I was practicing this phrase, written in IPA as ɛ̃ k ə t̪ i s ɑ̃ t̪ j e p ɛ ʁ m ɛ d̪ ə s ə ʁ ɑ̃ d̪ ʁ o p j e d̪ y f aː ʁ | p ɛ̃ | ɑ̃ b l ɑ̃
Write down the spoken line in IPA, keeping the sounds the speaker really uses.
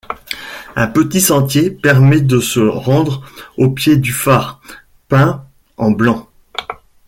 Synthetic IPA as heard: ɛ̃ p ə t̪ i s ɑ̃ t̪ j e p ɛ ʁ m ɛ d̪ ə s ə ʁ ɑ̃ d̪ ʁ o p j e d̪ y f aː ʁ | p ɛ̃ | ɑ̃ b l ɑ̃